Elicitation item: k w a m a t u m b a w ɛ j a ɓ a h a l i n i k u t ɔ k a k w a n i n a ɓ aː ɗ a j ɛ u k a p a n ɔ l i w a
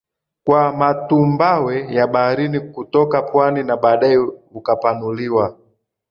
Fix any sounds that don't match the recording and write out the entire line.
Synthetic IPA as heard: k w a m a t u m b a w ɛ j a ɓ a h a ɾ i n i k u t ɔ k a p w a n i n a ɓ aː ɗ a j ɛ u k a p a n u l i w a